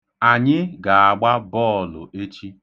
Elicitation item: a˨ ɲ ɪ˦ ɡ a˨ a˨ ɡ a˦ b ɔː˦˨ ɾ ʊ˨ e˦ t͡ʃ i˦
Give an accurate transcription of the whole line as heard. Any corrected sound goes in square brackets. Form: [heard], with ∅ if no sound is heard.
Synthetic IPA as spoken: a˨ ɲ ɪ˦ ɡ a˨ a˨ [ɡ͡b] a˦ b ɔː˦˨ [l] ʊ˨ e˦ t͡ʃ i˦